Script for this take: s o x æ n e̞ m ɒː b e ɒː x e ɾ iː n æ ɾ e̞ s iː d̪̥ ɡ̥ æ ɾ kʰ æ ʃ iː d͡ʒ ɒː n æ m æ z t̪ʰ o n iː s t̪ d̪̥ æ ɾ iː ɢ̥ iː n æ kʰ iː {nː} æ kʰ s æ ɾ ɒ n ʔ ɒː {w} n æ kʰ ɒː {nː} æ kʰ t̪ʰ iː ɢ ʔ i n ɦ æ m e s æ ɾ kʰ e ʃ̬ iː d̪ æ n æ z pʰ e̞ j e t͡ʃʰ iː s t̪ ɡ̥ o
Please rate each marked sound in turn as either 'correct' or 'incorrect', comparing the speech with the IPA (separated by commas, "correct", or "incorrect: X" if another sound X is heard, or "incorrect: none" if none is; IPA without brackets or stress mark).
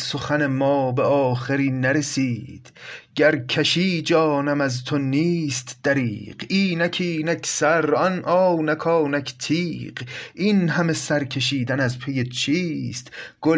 incorrect: n, correct, incorrect: n